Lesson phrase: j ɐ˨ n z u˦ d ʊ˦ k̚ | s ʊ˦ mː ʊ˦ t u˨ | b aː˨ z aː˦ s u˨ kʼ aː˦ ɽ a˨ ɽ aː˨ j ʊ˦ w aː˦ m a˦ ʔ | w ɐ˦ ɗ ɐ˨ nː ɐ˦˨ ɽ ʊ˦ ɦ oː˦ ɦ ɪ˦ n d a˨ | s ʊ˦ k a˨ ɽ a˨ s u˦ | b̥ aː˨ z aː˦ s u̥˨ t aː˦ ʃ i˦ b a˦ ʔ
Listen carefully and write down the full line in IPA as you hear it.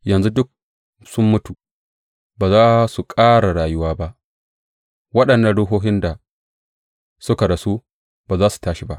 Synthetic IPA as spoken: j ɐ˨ n z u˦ d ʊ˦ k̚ | s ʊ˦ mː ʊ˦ t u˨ | b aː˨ z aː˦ s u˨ kʼ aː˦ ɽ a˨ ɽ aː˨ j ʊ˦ w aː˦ b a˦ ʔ | w ɐ˦ ɗ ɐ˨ nː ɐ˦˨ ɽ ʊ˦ ɦ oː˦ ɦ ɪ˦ n d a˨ | s ʊ˦ k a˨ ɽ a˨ s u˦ | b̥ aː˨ z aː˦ s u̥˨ t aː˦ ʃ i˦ b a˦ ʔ